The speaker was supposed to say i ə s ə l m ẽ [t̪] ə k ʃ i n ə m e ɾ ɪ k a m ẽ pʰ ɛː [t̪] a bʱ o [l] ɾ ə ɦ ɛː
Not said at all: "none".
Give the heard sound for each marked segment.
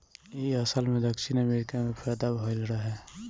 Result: d̪, d̪, l

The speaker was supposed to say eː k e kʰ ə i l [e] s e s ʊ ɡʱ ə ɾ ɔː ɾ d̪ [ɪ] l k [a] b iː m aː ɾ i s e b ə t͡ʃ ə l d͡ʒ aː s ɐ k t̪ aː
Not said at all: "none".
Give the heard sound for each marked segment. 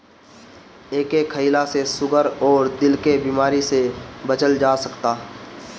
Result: a, ɪ, e

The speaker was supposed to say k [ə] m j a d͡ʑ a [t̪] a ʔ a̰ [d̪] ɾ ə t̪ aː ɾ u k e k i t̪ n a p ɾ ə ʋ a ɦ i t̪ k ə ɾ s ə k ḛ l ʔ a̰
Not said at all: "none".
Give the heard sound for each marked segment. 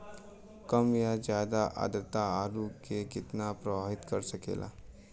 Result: ə, d̪, d̪

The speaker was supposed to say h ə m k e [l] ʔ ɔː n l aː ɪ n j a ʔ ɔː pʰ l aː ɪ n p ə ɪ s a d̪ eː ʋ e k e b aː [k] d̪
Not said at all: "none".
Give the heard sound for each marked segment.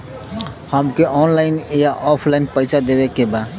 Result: none, none

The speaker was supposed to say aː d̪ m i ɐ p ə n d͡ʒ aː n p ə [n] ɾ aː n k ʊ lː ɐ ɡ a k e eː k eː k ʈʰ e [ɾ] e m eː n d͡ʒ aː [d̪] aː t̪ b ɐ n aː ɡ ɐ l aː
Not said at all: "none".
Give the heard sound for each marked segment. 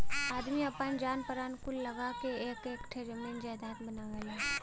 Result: none, ɾ, d̪

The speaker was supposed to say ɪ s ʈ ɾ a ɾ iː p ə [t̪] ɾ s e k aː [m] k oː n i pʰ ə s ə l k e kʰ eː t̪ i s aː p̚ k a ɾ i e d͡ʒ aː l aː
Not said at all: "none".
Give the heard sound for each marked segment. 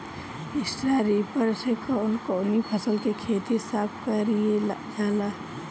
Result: none, n

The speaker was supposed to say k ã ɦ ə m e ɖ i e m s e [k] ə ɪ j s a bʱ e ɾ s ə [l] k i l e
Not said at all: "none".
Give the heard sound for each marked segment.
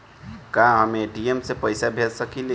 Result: p, none

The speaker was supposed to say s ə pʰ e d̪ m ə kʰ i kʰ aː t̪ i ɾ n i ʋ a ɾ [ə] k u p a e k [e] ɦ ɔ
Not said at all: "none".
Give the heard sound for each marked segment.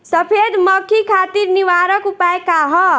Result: ə, a

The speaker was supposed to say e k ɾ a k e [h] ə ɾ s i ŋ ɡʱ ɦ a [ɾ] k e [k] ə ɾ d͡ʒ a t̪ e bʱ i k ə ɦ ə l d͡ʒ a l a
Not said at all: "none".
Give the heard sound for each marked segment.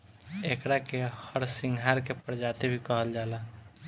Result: h, ɾ, p

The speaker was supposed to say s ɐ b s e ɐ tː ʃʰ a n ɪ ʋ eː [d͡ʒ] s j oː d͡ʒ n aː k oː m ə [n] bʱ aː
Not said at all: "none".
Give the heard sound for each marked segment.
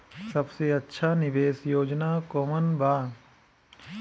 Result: none, n

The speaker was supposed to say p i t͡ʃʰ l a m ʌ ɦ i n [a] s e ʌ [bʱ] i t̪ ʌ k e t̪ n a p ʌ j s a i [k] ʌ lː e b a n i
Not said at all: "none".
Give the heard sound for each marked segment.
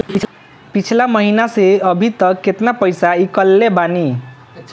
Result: a, bʱ, k

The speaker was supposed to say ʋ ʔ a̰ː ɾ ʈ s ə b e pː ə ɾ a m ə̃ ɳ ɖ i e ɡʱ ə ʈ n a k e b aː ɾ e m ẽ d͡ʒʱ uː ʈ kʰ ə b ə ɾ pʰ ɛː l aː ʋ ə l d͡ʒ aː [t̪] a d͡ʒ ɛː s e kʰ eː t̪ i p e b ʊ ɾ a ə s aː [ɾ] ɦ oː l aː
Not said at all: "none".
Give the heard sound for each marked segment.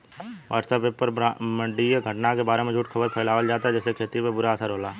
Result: t̪, ɾ

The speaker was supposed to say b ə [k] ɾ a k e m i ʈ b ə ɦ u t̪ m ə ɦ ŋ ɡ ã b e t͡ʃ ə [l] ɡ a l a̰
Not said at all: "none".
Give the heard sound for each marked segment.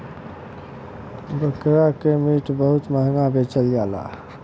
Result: k, l

